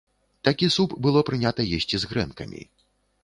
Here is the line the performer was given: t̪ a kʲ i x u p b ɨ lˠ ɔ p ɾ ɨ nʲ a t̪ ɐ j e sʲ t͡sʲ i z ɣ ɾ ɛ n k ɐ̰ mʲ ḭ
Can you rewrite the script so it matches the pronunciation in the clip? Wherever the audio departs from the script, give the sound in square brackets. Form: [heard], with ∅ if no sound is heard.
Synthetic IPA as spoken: t̪ a kʲ i [s] u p b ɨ lˠ ɔ p ɾ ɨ nʲ a t̪ ɐ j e sʲ t͡sʲ i z ɣ ɾ ɛ n k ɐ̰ mʲ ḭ